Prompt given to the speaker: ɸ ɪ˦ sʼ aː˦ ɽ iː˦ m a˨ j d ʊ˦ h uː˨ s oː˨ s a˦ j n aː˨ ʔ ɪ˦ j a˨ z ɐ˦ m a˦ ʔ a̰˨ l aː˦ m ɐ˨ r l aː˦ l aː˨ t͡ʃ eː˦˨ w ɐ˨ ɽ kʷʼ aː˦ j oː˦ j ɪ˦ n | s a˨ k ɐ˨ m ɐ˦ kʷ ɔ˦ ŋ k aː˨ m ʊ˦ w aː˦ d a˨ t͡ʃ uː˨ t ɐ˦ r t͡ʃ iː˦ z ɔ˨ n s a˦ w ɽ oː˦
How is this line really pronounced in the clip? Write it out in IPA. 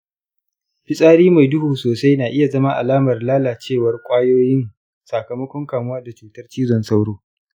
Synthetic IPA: ɸ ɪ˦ sʼ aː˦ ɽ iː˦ m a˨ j d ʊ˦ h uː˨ s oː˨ s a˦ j n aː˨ ʔ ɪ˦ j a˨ z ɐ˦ m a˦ ʔ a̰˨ l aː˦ m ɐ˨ r l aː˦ l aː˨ t͡ʃ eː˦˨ w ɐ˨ r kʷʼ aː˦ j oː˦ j ɪ˦ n | s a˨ k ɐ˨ m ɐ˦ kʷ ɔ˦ ŋ k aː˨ m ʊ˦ w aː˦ d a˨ t͡ʃ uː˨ t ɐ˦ r t͡ʃ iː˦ z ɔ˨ n s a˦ w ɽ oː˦